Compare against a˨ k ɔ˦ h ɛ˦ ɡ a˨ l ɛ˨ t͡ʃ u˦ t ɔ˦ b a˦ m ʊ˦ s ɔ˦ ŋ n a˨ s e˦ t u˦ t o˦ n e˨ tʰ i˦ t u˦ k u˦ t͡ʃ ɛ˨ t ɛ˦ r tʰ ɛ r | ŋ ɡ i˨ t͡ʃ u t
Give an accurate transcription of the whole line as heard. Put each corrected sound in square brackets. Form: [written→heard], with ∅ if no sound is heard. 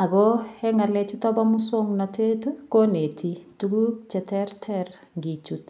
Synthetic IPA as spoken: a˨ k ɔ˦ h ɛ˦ [ɡ→ŋ] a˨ l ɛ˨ t͡ʃ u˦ t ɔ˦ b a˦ m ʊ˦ s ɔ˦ ŋ n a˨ [s→t] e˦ t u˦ [t→k] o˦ n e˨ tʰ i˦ t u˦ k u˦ t͡ʃ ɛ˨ t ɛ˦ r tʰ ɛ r | ŋ ɡ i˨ t͡ʃ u t

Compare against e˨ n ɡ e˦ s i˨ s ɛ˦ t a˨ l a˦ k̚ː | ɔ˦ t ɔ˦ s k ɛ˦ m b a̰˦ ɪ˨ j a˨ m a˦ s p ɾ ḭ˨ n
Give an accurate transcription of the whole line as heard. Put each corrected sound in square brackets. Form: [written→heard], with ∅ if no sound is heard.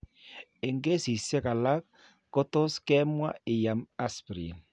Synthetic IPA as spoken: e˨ [n→ŋ] ɡ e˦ s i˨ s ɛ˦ [t→k] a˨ l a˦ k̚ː | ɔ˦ t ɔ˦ s k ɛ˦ m [b→w] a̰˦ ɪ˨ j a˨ m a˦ s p ɾ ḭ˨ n

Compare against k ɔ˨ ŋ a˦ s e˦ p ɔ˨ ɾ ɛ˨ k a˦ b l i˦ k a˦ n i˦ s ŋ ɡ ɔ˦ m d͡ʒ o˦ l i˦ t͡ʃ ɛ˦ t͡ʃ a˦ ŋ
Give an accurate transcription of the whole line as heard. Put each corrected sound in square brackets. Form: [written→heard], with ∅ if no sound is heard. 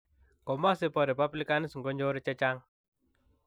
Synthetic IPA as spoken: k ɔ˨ [ŋ→m] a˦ s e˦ p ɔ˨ ɾ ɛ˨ [k→p] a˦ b l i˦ k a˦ n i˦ s ŋ ɡ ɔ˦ [m→ɲ] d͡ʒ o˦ [l→ɾ] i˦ t͡ʃ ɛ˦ t͡ʃ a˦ ŋ

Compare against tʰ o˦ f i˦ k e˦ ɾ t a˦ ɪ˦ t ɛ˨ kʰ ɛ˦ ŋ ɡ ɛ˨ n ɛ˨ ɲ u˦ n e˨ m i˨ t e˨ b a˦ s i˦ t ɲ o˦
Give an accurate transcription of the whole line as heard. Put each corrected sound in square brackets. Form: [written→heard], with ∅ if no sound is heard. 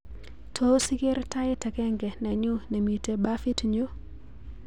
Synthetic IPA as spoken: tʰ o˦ [f→s] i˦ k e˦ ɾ t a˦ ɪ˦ t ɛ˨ [kʰ→k] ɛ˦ ŋ ɡ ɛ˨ n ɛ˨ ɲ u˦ n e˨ m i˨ t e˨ b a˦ [s→f] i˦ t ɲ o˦

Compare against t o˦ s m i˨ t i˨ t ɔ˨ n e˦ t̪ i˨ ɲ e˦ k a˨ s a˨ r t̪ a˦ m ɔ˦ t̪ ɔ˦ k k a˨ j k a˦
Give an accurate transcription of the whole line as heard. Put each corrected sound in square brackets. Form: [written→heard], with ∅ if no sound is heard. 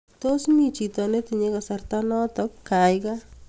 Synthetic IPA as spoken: t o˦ s m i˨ [t→t͡ʃ] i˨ t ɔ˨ n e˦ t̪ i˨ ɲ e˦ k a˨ s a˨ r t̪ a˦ [m→n] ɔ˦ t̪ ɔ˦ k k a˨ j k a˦

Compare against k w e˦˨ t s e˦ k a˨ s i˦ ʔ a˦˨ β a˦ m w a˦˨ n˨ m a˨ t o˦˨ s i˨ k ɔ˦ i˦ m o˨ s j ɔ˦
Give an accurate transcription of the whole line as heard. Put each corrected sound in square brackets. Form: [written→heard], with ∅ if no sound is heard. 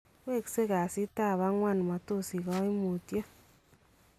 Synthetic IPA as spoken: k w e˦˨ [t→k] s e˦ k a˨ s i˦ [ʔ→t] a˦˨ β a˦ [m→ŋ] w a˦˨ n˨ m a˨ t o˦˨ s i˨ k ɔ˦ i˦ m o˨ [s→t] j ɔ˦

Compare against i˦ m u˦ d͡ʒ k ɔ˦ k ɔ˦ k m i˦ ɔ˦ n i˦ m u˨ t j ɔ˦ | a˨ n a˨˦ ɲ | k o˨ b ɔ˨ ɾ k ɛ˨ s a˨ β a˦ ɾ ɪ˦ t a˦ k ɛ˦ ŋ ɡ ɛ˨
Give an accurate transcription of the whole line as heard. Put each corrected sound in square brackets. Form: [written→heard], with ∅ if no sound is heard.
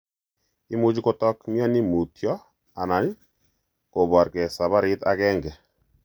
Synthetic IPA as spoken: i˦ m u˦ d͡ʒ k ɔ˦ [k→t] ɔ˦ k m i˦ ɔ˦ n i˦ m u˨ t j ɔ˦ | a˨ n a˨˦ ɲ | k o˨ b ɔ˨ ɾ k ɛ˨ s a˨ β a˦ ɾ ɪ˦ t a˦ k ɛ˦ ŋ ɡ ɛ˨

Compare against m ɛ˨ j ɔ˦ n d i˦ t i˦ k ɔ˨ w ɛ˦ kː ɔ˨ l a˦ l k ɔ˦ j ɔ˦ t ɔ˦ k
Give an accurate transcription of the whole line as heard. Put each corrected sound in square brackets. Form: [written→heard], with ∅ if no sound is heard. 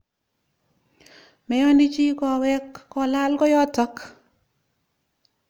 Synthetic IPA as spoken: m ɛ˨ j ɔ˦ n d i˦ [t→t͡ʃ] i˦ k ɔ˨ w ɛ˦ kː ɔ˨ l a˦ l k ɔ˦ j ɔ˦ t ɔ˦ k

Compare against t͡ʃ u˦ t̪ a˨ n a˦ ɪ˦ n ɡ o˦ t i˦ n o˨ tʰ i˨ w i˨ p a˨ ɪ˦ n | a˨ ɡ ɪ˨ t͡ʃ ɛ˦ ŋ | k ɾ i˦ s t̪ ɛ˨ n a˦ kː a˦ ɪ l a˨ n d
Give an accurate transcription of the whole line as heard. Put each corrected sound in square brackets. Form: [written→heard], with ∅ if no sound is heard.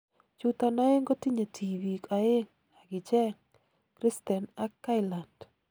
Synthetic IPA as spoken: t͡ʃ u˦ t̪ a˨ n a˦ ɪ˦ [n→ŋ] ɡ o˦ t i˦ [n→ɲ] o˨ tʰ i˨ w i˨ [p→k] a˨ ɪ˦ [n→ŋ] | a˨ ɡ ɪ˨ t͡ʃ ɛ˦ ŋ | k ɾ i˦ s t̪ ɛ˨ n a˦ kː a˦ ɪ l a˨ n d

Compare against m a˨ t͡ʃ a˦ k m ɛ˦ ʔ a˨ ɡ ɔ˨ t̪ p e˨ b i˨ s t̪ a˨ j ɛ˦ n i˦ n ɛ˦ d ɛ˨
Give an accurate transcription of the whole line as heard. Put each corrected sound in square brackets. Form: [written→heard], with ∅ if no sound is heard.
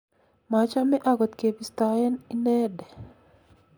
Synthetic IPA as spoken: m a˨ t͡ʃ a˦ [k→∅] m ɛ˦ ʔ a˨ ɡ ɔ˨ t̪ [p→k] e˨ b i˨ s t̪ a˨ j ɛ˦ n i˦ n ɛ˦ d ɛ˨

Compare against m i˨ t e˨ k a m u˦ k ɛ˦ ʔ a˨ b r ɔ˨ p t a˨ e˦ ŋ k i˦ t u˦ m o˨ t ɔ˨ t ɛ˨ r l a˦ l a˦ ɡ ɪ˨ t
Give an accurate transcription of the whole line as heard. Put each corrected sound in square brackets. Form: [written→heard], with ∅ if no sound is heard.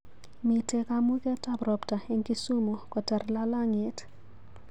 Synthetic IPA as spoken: m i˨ t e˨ k a m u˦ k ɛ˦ [ʔ→t] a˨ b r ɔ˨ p t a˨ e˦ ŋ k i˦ [t→s] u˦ m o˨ [t→k] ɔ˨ t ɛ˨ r l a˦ l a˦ [ɡ→ŋ] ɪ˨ t

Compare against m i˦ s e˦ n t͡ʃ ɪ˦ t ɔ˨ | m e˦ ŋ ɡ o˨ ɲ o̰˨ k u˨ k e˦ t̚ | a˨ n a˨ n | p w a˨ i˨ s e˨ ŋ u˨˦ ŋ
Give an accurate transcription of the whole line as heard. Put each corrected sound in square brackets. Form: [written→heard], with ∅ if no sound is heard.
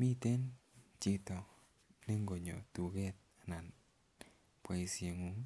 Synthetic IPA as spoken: m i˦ [s→t] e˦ n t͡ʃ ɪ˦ t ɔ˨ | [m→n] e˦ ŋ ɡ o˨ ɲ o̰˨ [k→t] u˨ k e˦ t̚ | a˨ n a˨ n | p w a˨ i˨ s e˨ ŋ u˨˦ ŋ

